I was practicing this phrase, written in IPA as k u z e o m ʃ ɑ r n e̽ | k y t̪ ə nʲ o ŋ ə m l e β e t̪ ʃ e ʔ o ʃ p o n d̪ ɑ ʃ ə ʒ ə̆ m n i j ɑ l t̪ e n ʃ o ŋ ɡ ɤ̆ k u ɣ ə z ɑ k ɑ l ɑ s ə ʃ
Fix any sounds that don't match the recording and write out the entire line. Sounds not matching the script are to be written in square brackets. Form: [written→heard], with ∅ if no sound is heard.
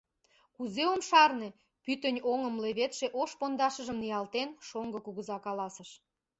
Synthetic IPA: k u z e o m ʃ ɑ r n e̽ | [k→p] y t̪ ə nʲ o ŋ ə m l e β e t̪ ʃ e ʔ o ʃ p o n d̪ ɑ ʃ ə ʒ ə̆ m n i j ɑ l t̪ e n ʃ o ŋ ɡ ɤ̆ k u ɣ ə z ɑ k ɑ l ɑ s ə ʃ

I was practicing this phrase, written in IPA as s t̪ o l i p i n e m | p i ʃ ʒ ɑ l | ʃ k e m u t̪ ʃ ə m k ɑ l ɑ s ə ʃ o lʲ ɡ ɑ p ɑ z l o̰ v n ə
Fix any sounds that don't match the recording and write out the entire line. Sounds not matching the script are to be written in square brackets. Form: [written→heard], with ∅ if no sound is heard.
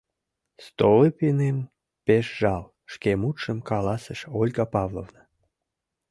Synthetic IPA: s t̪ o l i p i n e m | p [i→e] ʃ ʒ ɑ l | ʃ k e m u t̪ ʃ ə m k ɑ l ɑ s ə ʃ o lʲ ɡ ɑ p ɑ [z→v] l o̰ v n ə

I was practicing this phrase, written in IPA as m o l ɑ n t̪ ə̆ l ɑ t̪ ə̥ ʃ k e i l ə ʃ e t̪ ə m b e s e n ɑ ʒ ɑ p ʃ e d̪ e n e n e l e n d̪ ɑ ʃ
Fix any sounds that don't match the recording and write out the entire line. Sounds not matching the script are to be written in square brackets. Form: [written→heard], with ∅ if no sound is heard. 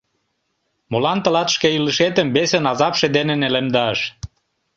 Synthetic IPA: m o l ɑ n t̪ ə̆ l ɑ t̪ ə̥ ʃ k e i l ə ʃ e t̪ ə m b e s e n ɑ [ʒ→z] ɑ p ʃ e d̪ e n e n e l e [n→m] d̪ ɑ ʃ

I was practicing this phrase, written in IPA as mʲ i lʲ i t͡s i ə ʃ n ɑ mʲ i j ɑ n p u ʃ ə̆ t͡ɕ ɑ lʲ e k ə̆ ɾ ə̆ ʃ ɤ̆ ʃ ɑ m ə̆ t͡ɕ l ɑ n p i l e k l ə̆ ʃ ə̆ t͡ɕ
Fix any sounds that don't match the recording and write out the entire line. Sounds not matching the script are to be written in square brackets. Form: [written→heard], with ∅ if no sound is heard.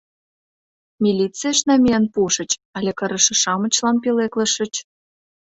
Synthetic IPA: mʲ i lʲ i t͡s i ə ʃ n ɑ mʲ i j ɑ n p u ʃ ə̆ t͡ɕ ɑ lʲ e k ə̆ ɾ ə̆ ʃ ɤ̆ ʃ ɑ m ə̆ t͡ɕ l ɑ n p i l e k l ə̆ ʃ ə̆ t͡ɕ

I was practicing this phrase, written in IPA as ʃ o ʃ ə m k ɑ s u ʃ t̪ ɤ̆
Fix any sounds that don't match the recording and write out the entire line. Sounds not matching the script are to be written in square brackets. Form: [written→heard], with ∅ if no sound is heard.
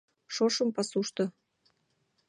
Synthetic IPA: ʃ o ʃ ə m [k→p] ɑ s u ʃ t̪ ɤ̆

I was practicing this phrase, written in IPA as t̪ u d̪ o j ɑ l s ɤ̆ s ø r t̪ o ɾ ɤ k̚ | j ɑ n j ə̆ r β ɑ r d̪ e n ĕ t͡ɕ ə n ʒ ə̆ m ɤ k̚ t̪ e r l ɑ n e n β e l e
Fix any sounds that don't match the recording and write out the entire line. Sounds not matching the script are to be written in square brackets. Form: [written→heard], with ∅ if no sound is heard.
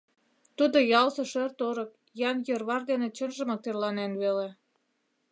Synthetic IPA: t̪ u d̪ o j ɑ l s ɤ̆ [s→ʃ] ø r t̪ o ɾ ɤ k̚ | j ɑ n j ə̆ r β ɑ r d̪ e n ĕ t͡ɕ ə n ʒ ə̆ m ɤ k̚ t̪ e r l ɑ n e n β e l e

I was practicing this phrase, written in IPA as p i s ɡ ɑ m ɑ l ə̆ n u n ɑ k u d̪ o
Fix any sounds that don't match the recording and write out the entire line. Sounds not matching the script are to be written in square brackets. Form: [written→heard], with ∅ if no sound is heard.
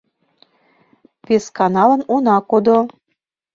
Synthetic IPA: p [i→e] s [ɡ→k] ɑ [m→n] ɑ l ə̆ n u n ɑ k [u→o] d̪ o

